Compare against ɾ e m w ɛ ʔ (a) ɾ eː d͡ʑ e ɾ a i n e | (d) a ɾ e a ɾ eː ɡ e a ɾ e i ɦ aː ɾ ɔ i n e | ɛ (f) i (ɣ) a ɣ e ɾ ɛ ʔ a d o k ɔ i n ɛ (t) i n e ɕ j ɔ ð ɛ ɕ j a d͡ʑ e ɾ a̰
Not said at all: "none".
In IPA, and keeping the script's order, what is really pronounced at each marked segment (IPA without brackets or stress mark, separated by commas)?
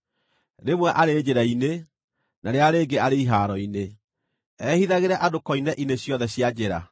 a, n, h, ð, ʔ